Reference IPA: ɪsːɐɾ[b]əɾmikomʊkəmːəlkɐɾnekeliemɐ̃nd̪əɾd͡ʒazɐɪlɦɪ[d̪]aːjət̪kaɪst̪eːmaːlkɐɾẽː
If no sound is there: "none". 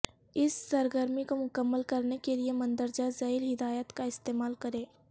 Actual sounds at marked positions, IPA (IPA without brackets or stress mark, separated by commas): ɡ, d̪